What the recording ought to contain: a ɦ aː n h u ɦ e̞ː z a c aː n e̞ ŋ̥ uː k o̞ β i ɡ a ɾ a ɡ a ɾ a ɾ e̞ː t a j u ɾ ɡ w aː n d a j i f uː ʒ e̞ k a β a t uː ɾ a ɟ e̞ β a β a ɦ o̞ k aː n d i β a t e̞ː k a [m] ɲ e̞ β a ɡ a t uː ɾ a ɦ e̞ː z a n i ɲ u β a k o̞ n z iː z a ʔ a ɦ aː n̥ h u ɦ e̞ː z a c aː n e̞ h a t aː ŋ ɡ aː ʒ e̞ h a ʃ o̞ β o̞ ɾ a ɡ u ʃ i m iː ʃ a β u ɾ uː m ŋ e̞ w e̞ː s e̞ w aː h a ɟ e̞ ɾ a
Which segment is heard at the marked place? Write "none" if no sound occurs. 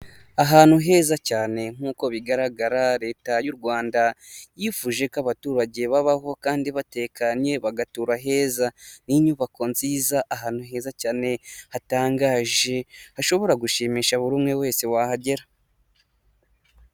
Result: ɲ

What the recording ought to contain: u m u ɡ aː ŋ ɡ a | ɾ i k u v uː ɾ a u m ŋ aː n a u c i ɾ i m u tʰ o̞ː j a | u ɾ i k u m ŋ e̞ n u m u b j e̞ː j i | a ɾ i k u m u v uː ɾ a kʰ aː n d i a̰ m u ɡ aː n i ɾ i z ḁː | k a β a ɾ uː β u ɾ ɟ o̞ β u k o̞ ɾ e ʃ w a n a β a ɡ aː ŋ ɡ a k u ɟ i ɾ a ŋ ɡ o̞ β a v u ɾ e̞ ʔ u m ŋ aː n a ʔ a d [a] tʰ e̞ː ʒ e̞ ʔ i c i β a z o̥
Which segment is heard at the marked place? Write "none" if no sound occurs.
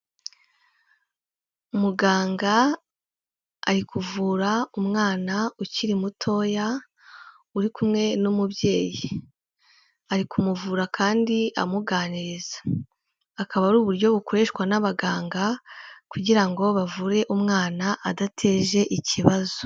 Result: a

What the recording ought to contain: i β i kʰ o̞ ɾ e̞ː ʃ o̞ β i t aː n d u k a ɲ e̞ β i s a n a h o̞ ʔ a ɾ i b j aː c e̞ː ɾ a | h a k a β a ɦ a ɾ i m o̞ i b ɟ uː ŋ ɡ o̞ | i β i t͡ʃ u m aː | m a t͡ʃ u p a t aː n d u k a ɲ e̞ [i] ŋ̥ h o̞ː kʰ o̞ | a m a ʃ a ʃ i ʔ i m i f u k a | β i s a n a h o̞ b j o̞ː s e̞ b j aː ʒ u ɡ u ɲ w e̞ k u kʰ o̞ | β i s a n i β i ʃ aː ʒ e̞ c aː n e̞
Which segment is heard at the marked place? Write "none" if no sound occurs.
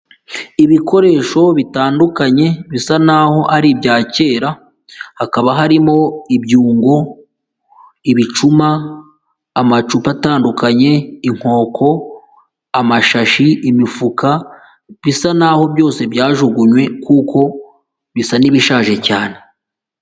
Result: i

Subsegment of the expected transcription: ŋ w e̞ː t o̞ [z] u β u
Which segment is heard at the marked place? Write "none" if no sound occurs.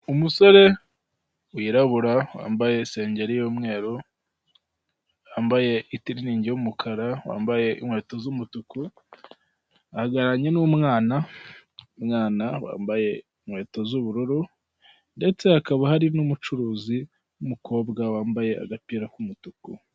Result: z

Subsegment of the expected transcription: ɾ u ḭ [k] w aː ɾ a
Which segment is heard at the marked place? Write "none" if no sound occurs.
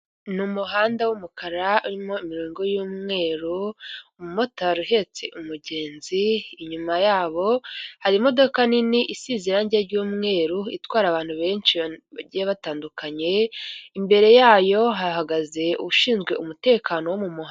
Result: t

